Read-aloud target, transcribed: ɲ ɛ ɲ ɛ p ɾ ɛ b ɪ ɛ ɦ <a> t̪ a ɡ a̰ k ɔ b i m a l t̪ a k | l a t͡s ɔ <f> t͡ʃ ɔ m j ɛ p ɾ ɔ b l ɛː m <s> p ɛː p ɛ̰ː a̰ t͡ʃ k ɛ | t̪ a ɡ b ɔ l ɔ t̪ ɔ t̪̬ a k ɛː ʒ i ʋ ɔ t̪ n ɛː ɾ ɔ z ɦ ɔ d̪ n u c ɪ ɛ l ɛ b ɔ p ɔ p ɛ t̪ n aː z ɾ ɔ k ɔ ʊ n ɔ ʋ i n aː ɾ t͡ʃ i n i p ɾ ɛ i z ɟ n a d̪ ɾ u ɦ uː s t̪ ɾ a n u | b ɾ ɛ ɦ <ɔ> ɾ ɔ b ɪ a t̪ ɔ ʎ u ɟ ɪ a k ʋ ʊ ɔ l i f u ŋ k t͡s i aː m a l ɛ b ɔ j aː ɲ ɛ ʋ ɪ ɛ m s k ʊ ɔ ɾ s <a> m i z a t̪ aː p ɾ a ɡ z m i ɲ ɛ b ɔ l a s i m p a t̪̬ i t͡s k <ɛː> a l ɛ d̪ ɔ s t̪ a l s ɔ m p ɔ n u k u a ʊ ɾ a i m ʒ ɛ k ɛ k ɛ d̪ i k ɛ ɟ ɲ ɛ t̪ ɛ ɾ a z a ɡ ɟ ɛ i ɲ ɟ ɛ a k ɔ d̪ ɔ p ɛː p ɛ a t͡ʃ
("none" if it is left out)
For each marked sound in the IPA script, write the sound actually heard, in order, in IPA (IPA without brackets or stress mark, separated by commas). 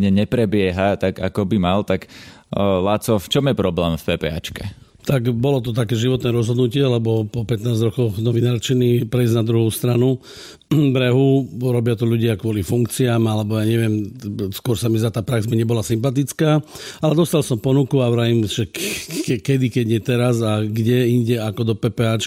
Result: a, f, f, u, a, aː